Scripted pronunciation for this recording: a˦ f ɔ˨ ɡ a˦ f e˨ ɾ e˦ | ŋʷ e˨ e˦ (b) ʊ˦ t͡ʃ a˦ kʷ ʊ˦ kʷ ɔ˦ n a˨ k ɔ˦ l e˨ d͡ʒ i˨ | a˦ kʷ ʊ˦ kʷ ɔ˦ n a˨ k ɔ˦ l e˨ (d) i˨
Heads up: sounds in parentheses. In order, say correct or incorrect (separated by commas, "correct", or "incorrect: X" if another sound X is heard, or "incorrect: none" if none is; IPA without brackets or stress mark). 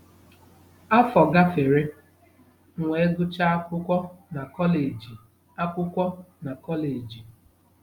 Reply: incorrect: ɡ, incorrect: d͡ʒ